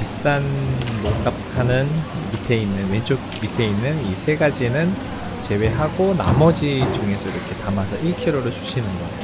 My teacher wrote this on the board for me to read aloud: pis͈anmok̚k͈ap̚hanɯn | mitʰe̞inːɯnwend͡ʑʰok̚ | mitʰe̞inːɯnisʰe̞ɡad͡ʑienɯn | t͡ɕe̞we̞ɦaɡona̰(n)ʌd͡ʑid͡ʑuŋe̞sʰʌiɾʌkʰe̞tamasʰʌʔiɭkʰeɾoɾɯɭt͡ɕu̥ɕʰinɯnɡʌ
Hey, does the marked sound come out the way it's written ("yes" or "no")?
no